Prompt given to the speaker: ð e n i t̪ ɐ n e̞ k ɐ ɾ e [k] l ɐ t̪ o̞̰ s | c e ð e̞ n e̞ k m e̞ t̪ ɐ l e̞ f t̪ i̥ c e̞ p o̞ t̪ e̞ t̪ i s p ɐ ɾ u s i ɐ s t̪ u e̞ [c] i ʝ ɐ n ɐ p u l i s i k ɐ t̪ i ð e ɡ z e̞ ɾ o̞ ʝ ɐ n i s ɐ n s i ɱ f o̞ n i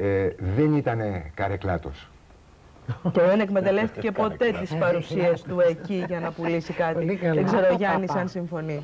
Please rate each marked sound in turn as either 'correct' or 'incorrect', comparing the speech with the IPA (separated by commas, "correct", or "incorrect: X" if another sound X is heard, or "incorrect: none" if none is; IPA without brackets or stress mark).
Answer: correct, correct